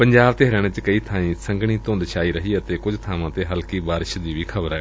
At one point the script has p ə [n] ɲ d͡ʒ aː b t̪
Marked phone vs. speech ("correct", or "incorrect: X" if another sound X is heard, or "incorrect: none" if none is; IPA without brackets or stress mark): incorrect: none